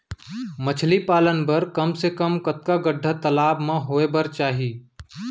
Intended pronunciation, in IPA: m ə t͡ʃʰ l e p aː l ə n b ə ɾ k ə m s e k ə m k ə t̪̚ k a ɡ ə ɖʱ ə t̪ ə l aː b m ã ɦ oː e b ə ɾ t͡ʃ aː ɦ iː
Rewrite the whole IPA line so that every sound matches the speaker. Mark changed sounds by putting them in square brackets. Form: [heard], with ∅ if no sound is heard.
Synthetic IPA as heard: m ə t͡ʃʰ l [i] p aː l ə n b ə ɾ k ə m s e k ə m k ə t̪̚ k a ɡ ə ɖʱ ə t̪ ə l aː b m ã ɦ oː e b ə ɾ t͡ʃ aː ɦ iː